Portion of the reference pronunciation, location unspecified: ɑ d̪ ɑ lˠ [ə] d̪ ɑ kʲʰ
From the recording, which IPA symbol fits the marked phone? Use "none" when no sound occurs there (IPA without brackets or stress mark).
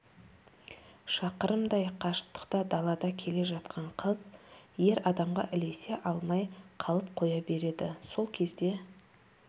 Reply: ɑ